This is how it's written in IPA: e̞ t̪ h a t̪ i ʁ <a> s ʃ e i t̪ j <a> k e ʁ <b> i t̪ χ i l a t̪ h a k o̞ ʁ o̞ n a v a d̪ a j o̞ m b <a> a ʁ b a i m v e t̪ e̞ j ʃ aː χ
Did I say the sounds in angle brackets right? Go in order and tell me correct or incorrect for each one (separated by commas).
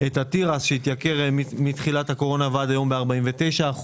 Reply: correct, correct, incorrect, incorrect